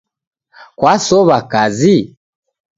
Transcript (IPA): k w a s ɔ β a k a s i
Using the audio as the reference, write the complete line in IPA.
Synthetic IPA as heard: k w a s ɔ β a k a z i